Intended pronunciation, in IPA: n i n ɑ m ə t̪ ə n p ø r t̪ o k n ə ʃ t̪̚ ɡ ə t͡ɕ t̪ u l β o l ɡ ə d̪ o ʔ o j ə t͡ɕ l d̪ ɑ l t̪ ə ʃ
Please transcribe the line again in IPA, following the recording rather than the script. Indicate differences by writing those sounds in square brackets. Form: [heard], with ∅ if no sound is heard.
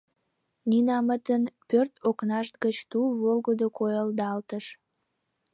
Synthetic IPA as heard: n i n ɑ m ə t̪ ə n p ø r t̪ o k n [ɑ] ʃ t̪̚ ɡ ə t͡ɕ t̪ u l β o l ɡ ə d̪ o [k] o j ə [∅] l d̪ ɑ l t̪ ə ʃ